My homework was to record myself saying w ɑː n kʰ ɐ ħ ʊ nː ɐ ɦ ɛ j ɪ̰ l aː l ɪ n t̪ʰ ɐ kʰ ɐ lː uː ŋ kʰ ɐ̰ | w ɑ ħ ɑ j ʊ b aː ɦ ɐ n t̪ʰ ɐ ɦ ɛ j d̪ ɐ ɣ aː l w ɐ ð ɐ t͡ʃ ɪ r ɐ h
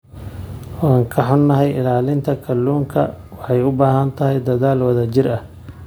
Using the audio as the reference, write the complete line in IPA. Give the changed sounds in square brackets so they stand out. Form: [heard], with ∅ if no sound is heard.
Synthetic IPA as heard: w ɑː [ŋ] kʰ ɐ ħ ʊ nː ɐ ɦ ɛ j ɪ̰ l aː l ɪ n t̪ʰ ɐ kʰ ɐ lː uː ŋ kʰ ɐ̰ | w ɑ ħ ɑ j ʊ b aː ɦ ɐ n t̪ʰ ɐ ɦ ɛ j d̪ ɐ [ð] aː l w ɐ ð ɐ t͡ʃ ɪ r ɐ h